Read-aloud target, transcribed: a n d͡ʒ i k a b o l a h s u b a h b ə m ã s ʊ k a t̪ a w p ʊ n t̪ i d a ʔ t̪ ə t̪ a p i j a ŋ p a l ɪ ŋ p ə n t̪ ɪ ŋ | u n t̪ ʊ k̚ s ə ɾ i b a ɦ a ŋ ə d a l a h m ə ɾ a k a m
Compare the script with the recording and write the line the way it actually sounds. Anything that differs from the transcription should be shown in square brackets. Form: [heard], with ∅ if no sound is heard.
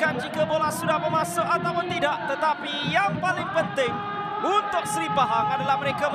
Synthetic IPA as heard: a n d͡ʒ i k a b o l a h s u [d] a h b ə m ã s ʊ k a t̪ a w p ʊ n t̪ i d a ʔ t̪ ə t̪ a p i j a ŋ p a l ɪ ŋ p ə n t̪ ɪ ŋ | u n t̪ ʊ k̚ s ə ɾ i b a ɦ a ŋ [a] d a l a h m ə ɾ [e] k a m